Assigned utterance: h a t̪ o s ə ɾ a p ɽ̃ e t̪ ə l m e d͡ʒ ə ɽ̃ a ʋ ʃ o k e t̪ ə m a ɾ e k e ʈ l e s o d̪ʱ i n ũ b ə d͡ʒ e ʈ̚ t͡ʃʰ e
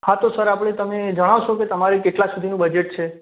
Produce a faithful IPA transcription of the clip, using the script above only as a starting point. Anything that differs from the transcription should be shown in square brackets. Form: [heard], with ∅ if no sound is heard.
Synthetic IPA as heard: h a t̪ o s ə ɾ a p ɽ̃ e t̪ ə [∅] m e d͡ʒ ə ɽ̃ a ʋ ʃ o k e t̪ ə m a ɾ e k e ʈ l [a] s [u] d̪ʱ i n ũ b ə d͡ʒ e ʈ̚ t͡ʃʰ e

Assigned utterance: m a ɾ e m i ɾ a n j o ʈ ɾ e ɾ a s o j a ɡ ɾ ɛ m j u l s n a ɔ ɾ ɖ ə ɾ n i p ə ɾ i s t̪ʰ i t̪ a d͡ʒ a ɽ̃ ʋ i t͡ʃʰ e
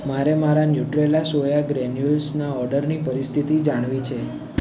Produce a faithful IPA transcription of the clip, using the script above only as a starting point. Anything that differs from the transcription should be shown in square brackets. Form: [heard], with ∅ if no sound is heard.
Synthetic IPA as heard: m a ɾ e m [a] ɾ a n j [u] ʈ ɾ e [l] a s o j a ɡ ɾ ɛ [n] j u l s n a ɔ ɾ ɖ ə ɾ n i p ə ɾ i s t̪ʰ i t̪ [i] d͡ʒ a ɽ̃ ʋ i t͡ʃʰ e

